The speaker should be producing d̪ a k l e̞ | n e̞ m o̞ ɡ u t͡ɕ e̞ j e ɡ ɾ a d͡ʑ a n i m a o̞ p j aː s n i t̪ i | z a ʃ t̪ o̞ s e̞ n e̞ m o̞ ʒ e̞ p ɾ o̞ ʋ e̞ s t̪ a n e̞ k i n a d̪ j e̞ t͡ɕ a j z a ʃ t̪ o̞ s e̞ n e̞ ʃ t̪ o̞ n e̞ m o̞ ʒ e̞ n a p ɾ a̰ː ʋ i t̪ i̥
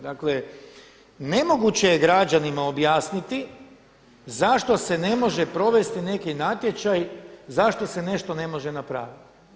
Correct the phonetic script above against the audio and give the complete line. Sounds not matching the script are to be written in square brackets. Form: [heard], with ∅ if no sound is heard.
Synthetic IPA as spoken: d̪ a k l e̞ | n e̞ m o̞ ɡ u t͡ɕ e̞ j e ɡ ɾ a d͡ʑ a n i m a o̞ [b] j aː s n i t̪ i | z a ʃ t̪ o̞ s e̞ n e̞ m o̞ ʒ e̞ p ɾ o̞ ʋ e̞ s t̪ [i] n e̞ k i n a [t̪] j e̞ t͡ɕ a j z a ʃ t̪ o̞ s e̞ n e̞ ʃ t̪ o̞ n e̞ m o̞ ʒ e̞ n a p ɾ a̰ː ʋ i t̪ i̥